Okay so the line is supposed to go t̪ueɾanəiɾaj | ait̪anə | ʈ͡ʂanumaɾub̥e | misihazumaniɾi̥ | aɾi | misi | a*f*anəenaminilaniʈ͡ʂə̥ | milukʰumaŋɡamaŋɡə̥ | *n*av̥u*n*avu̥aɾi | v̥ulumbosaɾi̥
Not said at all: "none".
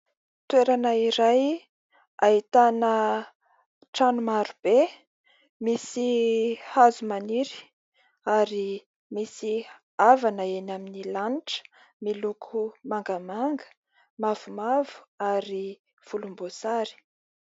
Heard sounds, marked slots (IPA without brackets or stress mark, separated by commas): v, m, m